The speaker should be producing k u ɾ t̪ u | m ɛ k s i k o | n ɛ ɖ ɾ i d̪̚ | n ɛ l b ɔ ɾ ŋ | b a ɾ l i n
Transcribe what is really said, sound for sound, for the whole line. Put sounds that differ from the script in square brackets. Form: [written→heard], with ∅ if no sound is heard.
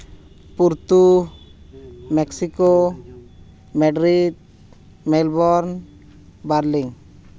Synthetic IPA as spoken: [k→p] u ɾ t̪ u | m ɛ k s i k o | [n→m] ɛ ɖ ɾ i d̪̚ | [n→m] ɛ l b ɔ ɾ [ŋ→n] | b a ɾ l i [n→ŋ]

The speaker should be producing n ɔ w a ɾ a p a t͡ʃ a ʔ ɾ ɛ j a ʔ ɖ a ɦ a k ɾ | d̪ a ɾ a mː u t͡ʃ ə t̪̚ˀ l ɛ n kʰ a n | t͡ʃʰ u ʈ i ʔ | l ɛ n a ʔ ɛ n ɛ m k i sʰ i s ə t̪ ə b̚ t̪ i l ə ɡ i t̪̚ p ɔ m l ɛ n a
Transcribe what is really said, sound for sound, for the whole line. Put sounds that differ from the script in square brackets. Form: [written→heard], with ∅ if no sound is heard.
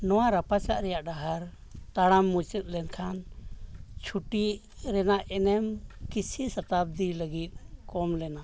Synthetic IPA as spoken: n ɔ w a ɾ a p a t͡ʃ a ʔ ɾ ɛ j a ʔ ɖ a ɦ a [k→∅] ɾ | [d̪→t̪] a [ɾ→ɽ] a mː u t͡ʃ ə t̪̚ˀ l ɛ n kʰ a n | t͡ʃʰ u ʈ i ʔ | [l→ɾ] ɛ n a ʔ ɛ n ɛ m k i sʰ i s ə t̪ [ə→a] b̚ [t̪→d̪] i l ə ɡ i t̪̚ [p→k] ɔ m l ɛ n a

